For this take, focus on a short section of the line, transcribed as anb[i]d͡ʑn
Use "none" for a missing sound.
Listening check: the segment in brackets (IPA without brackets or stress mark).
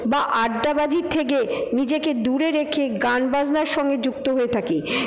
a